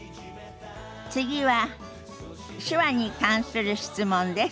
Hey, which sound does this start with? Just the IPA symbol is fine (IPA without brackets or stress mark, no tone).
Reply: t͡s